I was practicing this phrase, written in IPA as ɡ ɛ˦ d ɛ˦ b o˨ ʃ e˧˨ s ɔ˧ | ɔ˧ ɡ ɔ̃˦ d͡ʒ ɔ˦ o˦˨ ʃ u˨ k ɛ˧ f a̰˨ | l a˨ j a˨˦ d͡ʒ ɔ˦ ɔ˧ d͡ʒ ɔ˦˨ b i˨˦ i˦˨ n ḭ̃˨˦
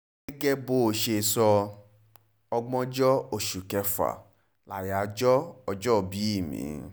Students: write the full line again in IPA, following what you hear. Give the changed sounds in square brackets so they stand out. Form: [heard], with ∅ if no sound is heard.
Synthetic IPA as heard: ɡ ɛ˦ [ɡ] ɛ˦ b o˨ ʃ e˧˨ s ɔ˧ | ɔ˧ [ɡ͡b] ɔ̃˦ d͡ʒ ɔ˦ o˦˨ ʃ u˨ k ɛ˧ f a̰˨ | l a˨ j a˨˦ d͡ʒ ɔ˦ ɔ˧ d͡ʒ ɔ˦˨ b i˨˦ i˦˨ [m] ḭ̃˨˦